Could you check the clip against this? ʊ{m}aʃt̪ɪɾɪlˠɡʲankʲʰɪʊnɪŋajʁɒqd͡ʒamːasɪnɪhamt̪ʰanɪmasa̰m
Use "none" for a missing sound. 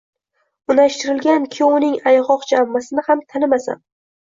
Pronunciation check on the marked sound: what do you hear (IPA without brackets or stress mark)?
n